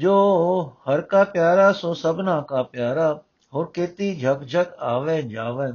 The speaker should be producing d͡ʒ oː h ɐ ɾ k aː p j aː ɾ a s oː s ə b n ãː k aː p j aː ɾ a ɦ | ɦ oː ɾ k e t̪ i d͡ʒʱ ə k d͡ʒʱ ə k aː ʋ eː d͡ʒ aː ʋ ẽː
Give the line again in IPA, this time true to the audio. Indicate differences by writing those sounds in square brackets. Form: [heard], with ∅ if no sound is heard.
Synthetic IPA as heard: d͡ʒ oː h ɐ ɾ k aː p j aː ɾ a s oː s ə b n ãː k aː p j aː ɾ a [∅] | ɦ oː ɾ k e t̪ i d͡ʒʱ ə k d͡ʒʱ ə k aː ʋ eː d͡ʒ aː ʋ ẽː